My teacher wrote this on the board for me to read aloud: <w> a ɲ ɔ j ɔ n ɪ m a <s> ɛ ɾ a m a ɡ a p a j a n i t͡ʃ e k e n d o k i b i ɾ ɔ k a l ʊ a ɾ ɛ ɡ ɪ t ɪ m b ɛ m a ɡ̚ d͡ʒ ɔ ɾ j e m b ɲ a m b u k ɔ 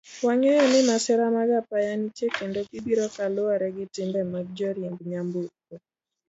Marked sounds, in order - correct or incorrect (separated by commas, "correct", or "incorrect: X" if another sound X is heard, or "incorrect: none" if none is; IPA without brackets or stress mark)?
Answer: correct, correct